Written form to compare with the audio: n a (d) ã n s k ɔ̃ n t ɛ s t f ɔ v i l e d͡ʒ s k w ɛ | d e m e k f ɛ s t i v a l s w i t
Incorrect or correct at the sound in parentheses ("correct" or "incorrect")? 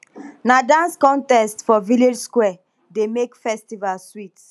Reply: correct